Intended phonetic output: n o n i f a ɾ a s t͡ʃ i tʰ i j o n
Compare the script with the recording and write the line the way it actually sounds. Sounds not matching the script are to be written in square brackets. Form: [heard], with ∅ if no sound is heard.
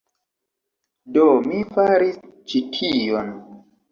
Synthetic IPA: [d] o [m] i f a ɾ [i] s t͡ʃ i tʰ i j o n